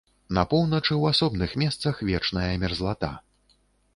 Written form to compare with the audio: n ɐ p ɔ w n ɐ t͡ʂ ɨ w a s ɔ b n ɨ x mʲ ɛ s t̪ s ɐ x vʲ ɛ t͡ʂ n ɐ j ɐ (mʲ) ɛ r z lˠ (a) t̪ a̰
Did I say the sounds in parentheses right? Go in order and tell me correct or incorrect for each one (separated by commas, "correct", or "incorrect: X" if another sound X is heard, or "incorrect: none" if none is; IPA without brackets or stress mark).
correct, correct